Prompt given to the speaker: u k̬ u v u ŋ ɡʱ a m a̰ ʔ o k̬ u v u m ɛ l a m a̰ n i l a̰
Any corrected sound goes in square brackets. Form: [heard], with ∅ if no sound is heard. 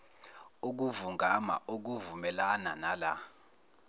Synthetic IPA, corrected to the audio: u k̬ u v u ŋ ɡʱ a m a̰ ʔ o k̬ u v u m ɛ l a [n] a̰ n [a] l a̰